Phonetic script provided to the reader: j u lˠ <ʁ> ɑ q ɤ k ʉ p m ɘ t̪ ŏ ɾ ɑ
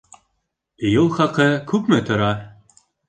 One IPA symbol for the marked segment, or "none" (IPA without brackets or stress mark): χ